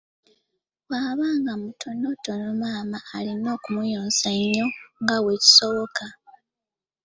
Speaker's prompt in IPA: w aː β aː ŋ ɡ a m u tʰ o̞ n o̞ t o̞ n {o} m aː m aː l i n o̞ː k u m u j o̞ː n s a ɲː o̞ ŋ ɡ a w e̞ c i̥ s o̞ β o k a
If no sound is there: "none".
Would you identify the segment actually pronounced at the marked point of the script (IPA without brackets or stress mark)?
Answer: o